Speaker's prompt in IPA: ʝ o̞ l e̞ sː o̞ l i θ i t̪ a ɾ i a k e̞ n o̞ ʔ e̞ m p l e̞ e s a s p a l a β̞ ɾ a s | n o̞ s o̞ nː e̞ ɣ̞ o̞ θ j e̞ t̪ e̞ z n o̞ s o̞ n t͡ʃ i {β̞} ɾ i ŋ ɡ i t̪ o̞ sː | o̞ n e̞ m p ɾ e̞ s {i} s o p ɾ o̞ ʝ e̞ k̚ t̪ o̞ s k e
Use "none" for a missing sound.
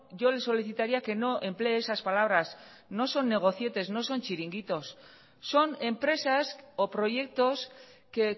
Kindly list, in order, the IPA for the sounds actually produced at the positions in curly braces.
none, a

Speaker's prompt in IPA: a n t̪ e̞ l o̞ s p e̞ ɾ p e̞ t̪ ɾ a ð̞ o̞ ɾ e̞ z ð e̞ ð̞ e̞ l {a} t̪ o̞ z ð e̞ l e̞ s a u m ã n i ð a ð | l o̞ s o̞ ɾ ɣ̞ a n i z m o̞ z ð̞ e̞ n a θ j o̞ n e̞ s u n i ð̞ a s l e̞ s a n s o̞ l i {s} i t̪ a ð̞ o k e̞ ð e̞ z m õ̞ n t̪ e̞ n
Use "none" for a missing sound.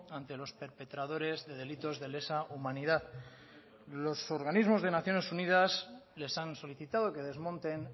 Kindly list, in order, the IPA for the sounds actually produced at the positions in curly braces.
i, θ

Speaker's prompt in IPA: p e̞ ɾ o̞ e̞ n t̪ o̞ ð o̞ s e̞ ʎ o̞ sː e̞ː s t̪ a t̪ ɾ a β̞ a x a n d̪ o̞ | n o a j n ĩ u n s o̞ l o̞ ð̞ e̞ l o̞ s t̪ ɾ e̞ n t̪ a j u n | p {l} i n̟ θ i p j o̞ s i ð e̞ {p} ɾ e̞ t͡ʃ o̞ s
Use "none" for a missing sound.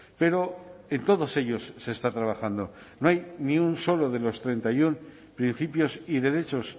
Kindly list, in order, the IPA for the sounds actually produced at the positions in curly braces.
ɾ, none

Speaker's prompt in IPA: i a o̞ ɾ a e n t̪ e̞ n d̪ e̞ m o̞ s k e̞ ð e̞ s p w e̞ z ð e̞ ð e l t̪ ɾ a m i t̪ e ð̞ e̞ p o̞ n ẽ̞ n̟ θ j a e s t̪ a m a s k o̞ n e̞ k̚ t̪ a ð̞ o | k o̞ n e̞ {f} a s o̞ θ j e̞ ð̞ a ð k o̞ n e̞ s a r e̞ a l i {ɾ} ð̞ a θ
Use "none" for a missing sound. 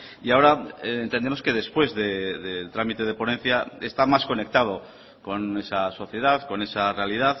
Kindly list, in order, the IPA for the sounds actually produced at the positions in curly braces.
s, none

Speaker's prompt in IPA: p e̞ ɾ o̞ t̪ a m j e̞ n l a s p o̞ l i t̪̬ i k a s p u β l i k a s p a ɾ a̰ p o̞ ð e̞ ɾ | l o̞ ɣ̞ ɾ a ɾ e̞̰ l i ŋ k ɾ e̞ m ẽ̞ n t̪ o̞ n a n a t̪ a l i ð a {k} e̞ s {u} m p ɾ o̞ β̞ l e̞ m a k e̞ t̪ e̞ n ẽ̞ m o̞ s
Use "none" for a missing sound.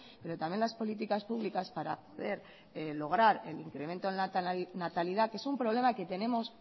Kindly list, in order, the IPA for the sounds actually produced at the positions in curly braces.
k, u

